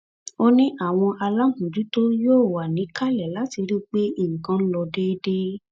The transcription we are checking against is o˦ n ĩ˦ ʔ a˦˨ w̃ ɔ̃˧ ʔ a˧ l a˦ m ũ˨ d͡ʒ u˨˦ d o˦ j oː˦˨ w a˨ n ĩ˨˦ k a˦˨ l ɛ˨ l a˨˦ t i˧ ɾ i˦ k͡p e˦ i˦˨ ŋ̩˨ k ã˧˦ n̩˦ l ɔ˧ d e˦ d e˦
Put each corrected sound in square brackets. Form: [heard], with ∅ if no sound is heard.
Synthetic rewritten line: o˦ n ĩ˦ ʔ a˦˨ w̃ ɔ̃˧ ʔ a˧ l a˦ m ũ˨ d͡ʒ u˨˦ [t] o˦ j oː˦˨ w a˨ n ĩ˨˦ k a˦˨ l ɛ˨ l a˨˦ t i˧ ɾ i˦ k͡p e˦ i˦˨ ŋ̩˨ k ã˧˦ n̩˦ l ɔ˧ d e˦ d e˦